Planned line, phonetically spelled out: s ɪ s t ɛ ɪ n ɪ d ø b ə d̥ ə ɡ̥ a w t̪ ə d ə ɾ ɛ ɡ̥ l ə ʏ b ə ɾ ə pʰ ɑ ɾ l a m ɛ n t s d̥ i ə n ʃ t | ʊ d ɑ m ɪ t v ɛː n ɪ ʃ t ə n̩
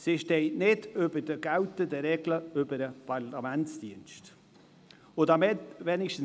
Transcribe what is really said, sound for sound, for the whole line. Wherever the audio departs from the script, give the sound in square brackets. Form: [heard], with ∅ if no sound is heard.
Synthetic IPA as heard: s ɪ [ʃ] t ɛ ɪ n ɪ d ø b ə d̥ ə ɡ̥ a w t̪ ə d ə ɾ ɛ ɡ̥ l ə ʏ b ə ɾ ə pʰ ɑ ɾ l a m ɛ n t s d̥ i ə n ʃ t | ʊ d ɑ m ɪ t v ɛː n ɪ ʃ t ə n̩